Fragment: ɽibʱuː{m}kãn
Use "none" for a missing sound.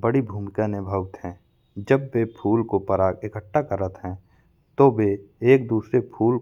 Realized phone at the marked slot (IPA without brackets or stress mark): m